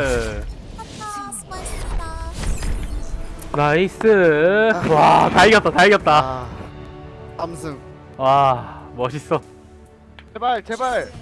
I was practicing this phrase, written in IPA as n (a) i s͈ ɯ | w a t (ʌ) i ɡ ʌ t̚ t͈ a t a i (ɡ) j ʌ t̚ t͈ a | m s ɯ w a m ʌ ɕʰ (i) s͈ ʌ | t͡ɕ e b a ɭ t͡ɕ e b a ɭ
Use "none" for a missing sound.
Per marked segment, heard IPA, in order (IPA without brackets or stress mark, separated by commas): a, a, ɡ, i